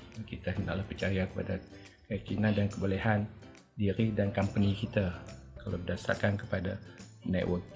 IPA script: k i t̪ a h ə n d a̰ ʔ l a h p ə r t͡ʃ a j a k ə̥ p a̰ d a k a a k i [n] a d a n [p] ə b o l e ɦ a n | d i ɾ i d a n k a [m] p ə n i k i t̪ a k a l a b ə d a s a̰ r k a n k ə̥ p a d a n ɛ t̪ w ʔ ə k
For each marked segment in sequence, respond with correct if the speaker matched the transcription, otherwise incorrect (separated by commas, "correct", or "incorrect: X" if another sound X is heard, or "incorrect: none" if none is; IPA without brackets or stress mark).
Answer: correct, incorrect: k, correct